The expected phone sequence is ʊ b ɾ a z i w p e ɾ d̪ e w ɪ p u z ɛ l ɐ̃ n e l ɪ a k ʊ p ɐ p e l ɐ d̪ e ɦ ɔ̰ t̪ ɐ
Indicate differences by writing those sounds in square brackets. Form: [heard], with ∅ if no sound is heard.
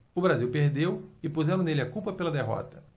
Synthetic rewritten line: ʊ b ɾ a z i w p e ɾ d̪ e w ɪ p u z ɛ [ɾ] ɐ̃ n e l ɪ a k [u] p ɐ p e l ɐ d̪ e ɦ ɔ̰ t̪ ɐ